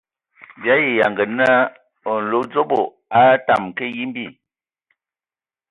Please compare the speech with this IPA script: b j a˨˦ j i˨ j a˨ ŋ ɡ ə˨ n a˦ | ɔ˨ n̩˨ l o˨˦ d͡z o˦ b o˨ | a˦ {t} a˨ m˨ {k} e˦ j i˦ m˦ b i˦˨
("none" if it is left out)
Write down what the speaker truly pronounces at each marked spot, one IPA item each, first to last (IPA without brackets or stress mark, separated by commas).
t, k